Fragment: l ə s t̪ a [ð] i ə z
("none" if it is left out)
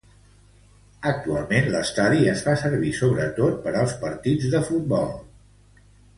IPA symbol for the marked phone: ð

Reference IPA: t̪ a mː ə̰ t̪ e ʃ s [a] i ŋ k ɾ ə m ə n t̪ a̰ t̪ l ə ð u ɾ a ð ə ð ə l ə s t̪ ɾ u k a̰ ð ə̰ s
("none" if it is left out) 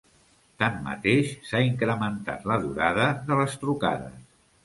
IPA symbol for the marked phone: a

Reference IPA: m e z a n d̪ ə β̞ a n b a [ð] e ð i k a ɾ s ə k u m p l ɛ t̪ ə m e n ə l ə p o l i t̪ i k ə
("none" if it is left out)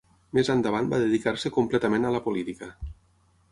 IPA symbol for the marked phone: ð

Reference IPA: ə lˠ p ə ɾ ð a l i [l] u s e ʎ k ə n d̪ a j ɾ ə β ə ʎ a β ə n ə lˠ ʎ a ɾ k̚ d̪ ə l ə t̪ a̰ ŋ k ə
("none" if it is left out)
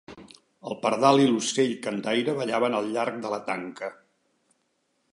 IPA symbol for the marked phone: l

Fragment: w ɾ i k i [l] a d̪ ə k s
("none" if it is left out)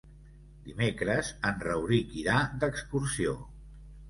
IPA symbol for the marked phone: ɾ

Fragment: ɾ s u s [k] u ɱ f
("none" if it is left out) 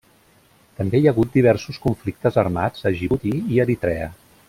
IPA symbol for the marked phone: k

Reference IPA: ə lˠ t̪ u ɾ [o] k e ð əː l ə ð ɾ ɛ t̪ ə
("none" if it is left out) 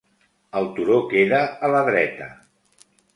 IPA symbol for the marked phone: o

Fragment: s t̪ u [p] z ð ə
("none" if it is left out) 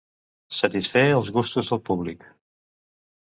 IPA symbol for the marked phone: none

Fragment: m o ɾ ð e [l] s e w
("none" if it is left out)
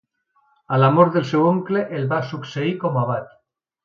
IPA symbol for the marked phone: l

